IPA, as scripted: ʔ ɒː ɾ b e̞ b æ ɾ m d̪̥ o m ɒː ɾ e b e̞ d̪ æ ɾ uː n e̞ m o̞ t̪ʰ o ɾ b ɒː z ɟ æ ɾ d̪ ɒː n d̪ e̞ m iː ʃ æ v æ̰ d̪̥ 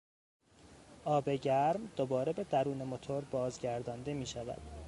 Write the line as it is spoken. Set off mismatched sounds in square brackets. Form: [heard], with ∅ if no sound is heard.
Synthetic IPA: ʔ ɒː [∅] b e̞ [ɟ] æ ɾ m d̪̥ o [b] ɒː ɾ e b e̞ d̪ æ ɾ uː n e̞ m o̞ t̪ʰ o ɾ b ɒː z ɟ æ ɾ d̪ ɒː n d̪ e̞ m iː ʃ æ v æ̰ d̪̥